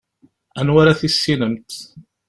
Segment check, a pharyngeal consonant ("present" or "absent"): absent